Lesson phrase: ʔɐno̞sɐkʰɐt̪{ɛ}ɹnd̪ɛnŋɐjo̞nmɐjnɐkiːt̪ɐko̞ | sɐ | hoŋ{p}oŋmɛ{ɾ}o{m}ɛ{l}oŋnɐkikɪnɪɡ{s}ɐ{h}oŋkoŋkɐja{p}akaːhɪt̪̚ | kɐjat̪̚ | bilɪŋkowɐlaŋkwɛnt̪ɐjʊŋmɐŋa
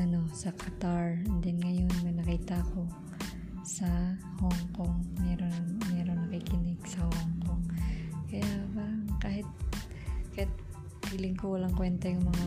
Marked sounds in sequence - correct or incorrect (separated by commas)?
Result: incorrect, incorrect, correct, correct, incorrect, correct, correct, incorrect